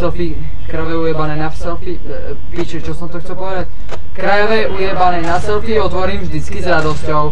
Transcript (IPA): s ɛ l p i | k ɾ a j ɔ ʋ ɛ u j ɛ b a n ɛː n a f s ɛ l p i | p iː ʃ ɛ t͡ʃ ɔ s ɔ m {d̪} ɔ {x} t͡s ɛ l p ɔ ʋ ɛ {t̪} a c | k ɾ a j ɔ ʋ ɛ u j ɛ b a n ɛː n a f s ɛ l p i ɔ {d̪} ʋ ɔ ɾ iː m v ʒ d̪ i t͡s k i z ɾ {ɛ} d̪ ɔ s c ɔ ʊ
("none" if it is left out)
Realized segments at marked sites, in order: t̪, x, d̪, t̪, a

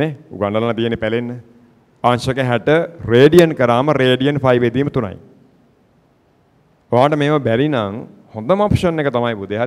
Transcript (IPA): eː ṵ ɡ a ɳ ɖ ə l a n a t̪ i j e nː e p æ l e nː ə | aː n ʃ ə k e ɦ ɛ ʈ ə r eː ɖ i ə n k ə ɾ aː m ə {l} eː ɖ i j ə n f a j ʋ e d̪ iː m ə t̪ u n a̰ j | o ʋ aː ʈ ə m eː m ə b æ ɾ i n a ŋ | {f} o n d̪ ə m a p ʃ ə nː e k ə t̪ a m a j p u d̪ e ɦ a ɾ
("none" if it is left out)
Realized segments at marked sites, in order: ɾ, h

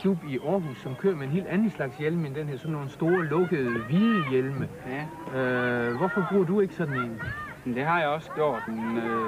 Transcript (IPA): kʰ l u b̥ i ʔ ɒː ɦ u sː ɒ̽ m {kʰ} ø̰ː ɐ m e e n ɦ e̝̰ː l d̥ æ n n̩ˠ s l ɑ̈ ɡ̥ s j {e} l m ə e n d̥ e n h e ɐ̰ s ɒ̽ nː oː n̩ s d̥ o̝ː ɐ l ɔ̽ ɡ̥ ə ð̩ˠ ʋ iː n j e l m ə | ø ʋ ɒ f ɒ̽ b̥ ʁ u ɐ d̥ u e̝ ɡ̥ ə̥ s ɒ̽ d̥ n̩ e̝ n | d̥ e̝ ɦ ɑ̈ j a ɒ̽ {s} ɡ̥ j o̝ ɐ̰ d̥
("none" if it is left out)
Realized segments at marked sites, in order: kʰ, e, s

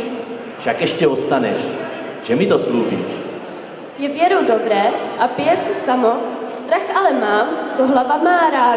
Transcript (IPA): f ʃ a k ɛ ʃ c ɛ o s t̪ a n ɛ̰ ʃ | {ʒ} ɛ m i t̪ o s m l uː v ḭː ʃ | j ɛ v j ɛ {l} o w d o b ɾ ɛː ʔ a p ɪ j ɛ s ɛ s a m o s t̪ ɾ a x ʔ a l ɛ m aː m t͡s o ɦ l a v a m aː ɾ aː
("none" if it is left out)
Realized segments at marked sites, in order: ʒ, ɾ

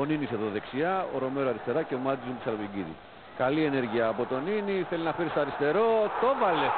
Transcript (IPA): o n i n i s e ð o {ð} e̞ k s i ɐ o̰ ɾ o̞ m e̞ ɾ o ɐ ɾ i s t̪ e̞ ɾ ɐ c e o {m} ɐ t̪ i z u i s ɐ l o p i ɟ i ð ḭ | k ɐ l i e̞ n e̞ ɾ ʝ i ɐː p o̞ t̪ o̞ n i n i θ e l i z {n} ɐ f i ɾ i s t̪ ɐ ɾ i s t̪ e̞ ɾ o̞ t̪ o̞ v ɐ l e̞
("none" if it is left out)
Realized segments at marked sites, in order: ð, m, n

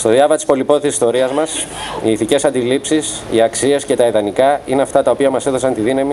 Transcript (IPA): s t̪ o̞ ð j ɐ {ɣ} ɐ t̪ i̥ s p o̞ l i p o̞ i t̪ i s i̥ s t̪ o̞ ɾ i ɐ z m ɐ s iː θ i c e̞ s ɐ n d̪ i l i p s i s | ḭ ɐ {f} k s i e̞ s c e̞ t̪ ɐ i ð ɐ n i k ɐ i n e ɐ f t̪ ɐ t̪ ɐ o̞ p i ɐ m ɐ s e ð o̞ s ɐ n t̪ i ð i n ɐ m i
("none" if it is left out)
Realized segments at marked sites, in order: v, none

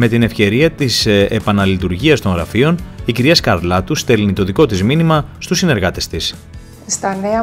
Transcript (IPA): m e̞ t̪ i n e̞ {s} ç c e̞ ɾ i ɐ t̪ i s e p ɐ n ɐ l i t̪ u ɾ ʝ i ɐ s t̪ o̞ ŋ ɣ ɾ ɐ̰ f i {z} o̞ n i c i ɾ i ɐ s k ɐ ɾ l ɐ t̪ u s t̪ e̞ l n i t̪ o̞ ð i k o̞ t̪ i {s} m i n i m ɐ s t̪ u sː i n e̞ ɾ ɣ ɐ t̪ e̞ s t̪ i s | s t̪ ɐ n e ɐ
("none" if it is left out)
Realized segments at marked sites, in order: f, none, z

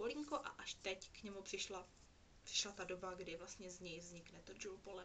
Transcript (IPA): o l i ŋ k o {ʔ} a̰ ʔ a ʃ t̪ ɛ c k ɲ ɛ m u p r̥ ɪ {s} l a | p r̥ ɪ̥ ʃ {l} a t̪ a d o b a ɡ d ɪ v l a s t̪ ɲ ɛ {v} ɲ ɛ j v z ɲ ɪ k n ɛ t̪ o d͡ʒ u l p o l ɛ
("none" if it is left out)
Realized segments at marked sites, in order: ʔ, ʃ, l, z

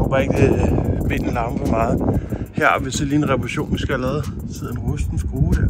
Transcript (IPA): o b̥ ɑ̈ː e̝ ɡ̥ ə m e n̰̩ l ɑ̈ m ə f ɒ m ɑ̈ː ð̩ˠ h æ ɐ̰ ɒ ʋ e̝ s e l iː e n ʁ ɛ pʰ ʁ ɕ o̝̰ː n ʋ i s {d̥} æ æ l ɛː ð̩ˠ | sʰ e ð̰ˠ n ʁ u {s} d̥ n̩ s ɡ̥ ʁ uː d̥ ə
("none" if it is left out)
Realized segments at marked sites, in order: ɡ̥, s

